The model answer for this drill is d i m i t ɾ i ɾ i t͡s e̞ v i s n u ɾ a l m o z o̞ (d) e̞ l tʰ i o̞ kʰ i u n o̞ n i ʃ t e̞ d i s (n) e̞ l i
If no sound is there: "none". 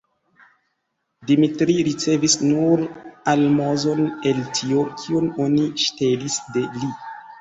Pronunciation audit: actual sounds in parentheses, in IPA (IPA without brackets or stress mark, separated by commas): n, d